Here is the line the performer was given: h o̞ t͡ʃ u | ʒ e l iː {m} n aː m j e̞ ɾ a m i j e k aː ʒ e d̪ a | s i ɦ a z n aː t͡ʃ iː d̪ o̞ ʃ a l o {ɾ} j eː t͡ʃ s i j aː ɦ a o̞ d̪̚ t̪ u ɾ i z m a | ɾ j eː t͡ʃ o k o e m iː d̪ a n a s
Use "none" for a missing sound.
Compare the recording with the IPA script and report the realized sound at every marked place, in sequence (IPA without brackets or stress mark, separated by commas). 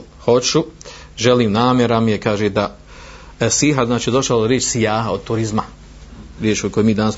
m, ɾ